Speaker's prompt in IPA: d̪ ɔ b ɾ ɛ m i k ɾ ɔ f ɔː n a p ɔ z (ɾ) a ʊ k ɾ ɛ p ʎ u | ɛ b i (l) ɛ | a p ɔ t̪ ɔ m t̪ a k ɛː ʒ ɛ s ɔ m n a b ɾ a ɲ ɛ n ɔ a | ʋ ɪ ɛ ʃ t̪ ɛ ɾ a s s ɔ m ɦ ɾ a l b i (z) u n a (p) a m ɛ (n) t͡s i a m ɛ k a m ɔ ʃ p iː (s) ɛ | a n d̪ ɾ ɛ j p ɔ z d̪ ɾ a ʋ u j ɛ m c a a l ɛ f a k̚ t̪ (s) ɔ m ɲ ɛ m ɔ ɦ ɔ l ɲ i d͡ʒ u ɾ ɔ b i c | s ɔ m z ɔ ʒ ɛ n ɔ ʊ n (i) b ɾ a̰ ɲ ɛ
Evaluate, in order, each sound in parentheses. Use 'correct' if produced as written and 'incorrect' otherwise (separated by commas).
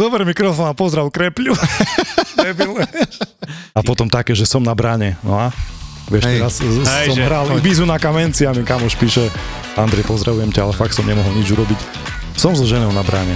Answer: correct, correct, correct, incorrect, correct, incorrect, correct, incorrect